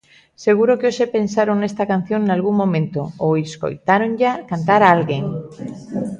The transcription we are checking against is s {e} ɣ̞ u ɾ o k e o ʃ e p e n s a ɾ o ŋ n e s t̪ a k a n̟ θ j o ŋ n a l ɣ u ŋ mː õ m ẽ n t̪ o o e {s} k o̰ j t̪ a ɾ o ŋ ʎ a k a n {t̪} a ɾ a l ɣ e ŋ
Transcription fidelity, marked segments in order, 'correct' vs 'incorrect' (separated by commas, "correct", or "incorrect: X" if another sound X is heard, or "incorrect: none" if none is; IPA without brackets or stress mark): correct, correct, correct